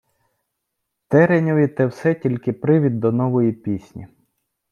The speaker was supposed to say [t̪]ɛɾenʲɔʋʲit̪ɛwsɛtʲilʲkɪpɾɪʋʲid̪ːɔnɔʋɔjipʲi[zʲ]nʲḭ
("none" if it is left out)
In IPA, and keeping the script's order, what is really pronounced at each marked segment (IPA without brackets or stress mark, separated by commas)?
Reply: t̪, sʲ